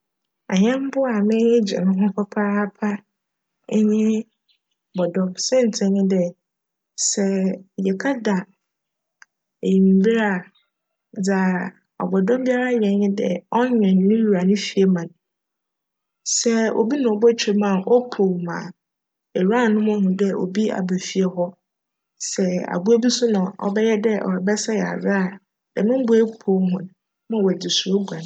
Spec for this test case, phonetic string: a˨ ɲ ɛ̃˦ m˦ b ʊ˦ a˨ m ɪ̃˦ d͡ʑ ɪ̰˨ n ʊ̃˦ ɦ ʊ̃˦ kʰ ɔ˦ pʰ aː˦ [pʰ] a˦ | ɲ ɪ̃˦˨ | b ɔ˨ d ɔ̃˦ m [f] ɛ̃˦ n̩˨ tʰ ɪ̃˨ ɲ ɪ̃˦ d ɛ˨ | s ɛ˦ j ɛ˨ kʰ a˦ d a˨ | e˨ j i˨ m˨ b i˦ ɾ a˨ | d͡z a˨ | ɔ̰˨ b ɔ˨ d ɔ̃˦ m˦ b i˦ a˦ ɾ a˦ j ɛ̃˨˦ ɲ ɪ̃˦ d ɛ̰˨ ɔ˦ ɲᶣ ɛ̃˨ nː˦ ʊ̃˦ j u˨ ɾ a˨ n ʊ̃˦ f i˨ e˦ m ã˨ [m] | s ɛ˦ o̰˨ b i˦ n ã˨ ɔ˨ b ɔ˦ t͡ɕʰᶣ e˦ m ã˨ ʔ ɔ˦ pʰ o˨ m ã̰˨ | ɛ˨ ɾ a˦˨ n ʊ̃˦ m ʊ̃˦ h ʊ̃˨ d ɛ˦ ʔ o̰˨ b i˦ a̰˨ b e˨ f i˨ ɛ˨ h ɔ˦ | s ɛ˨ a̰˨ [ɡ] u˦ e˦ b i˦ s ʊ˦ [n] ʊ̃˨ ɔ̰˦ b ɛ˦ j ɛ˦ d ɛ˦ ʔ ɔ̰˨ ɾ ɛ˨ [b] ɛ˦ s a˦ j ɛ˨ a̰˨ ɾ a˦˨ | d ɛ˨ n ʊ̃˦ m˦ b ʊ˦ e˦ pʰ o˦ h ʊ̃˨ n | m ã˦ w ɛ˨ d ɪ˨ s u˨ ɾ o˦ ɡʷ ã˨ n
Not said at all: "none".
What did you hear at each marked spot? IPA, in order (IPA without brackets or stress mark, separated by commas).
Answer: pʰ, s, n, b, n, b